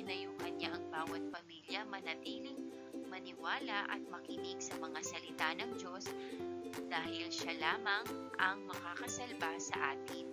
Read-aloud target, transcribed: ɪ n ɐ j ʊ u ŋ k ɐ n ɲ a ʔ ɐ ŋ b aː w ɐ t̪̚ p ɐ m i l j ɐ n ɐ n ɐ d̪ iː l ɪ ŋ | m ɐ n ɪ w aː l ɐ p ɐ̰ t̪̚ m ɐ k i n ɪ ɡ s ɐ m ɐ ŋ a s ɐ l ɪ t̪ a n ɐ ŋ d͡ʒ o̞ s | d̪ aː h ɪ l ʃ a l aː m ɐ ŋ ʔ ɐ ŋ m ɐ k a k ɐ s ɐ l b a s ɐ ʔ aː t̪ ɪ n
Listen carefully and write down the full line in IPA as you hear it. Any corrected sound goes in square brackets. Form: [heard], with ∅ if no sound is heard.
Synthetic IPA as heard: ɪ n ɐ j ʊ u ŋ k ɐ n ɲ a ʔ ɐ ŋ b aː w ɐ t̪̚ p ɐ m i l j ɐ [m] ɐ n ɐ [t̪] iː l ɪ ŋ | m ɐ n ɪ w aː l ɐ [ʔ] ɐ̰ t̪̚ m ɐ k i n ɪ ɡ s ɐ m ɐ ŋ a s ɐ l ɪ t̪ a n ɐ ŋ d͡ʒ o̞ s | d̪ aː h ɪ l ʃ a l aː m ɐ ŋ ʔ ɐ ŋ m ɐ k a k ɐ s ɐ l b a s ɐ ʔ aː t̪ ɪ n

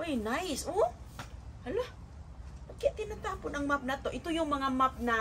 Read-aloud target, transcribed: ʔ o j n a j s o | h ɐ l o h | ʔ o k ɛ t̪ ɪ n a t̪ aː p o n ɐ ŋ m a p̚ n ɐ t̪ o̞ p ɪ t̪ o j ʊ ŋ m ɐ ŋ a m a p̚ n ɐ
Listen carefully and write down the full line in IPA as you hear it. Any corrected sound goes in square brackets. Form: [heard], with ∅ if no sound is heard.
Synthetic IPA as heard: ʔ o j n a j s o | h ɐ l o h | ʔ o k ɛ t̪ ɪ n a t̪ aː p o n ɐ ŋ m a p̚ n ɐ t̪ o̞ [ʔ] ɪ t̪ o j ʊ ŋ m ɐ ŋ a m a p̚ n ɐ

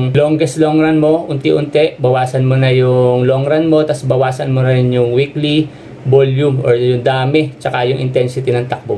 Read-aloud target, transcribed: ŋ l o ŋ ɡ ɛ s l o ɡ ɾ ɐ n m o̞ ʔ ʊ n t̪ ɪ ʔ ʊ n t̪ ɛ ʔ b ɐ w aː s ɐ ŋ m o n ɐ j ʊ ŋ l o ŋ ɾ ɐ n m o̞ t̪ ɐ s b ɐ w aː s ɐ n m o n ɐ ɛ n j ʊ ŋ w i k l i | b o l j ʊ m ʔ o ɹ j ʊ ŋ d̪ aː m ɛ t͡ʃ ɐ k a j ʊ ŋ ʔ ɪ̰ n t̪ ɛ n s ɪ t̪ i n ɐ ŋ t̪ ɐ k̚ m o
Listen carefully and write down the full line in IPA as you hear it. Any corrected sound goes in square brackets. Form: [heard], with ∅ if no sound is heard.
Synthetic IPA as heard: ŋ l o ŋ ɡ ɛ s l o [ŋ] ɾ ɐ n m o̞ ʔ ʊ n t̪ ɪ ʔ ʊ n t̪ ɛ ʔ b ɐ w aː s ɐ [n] m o n ɐ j ʊ ŋ l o ŋ ɾ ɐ n m o̞ t̪ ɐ s b ɐ w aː s ɐ n m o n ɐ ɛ n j ʊ ŋ w i k l i | b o l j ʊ m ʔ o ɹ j ʊ ŋ d̪ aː m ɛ t͡ʃ ɐ k a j ʊ ŋ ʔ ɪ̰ n t̪ ɛ n s ɪ t̪ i n ɐ ŋ t̪ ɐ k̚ [b] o

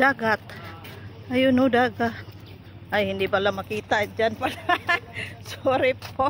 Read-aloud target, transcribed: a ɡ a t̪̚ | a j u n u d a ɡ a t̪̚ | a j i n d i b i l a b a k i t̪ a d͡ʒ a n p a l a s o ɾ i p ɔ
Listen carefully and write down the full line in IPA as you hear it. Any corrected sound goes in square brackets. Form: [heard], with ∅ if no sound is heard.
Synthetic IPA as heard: a ɡ a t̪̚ | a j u n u d a ɡ a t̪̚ | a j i n d i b [a] l a [m] a k i t̪ a d͡ʒ a n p a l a s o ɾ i p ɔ

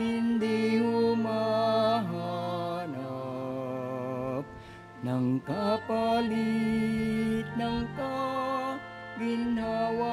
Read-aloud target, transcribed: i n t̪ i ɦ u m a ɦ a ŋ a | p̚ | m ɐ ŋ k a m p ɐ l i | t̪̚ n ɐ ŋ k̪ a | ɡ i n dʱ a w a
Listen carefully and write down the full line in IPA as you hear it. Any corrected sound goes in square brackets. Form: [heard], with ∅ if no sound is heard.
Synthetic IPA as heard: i n [d̪] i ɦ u m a ɦ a [n] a | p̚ | [n] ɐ ŋ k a [∅] p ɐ l i | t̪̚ n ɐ ŋ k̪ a | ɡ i n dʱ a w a

